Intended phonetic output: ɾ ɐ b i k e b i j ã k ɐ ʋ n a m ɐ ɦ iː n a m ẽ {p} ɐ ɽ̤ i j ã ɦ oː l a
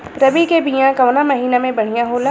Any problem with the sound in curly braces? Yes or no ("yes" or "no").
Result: yes